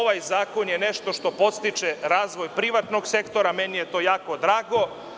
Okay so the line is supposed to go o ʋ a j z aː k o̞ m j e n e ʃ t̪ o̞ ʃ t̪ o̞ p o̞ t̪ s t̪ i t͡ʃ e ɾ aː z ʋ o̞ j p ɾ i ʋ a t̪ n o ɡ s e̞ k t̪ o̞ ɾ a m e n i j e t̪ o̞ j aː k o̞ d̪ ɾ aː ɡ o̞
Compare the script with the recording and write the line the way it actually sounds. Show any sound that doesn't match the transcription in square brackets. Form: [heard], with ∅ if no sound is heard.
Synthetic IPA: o ʋ a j z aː k o̞ [n] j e n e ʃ t̪ o̞ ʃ t̪ o̞ p o̞ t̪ s t̪ i t͡ʃ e ɾ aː z ʋ o̞ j p ɾ i ʋ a t̪ n o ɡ s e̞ k t̪ o̞ ɾ a m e n i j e t̪ o̞ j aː k o̞ d̪ ɾ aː ɡ o̞